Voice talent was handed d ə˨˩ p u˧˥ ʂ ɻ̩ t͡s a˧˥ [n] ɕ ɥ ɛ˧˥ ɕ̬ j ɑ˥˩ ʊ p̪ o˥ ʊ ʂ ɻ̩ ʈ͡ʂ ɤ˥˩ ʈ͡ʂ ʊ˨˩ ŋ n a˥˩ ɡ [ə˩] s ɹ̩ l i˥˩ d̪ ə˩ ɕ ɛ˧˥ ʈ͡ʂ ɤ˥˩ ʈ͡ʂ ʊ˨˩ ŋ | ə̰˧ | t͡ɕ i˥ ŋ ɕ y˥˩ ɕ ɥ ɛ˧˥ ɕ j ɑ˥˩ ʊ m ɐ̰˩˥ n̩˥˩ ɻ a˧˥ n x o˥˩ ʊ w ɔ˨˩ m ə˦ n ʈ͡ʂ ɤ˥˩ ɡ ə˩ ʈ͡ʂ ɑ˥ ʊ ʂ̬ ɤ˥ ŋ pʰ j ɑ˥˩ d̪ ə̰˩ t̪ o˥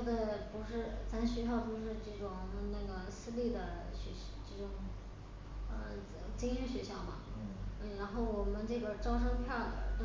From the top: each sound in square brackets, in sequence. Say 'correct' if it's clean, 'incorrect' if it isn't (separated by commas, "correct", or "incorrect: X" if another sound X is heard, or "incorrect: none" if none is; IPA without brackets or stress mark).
correct, correct